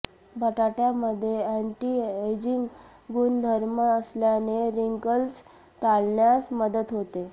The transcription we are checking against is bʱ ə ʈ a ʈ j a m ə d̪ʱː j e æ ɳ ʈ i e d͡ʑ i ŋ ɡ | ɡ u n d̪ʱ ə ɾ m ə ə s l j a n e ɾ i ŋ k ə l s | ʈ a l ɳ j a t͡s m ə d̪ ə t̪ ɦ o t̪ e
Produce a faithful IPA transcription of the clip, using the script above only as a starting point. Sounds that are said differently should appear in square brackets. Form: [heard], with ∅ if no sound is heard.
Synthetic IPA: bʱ ə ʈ a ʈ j a m ə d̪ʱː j e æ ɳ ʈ i e d͡ʑ i ŋ ɡ | ɡ u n d̪ʱ ə ɾ m ə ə s l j a n e ɾ i ŋ k ə l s | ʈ a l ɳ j a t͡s m ə d̪ ə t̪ ɦ o t̪ e